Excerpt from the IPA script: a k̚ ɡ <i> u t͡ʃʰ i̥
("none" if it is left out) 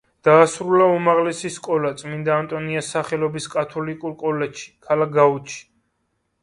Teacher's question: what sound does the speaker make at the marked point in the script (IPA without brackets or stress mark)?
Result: a